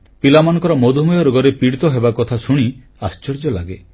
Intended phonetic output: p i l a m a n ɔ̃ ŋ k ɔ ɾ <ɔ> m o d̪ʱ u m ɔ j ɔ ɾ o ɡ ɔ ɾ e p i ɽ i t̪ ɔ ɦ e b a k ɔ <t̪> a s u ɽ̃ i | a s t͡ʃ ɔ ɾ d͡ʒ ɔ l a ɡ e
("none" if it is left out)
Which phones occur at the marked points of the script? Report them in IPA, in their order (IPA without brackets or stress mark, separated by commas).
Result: ɔ, t̪ʰ